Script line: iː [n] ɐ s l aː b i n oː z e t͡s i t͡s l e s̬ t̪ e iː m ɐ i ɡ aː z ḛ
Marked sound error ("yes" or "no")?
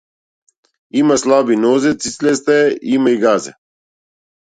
yes